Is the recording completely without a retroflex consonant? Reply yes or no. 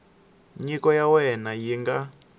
yes